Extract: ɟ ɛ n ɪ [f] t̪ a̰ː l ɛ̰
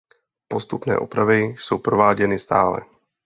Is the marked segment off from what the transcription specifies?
yes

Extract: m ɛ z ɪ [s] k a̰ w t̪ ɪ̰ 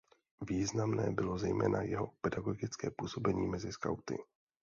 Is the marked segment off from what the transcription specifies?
no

